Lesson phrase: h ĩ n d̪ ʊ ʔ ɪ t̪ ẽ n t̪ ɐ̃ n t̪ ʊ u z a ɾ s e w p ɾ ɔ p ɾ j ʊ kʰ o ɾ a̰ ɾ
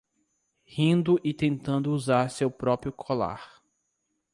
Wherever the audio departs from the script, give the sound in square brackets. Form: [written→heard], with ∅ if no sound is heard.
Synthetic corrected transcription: h ĩ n d̪ ʊ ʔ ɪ t̪ ẽ n t̪ ɐ̃ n [t̪→d̪] ʊ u z a ɾ s e w p ɾ ɔ p ɾ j ʊ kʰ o [ɾ→l] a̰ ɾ